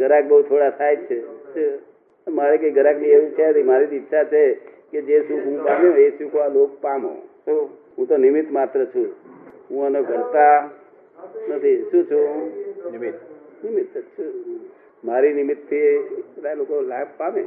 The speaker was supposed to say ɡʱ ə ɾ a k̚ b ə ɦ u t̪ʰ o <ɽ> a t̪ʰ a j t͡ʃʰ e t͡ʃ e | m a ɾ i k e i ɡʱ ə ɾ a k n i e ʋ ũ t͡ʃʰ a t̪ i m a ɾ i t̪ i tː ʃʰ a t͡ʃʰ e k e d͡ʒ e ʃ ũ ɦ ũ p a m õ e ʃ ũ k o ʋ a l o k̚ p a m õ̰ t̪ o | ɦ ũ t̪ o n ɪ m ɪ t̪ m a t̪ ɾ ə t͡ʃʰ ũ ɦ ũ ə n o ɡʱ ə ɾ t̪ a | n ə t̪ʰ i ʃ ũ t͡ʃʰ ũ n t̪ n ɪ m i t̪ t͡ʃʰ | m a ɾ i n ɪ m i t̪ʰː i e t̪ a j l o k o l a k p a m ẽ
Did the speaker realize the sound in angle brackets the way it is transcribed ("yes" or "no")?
yes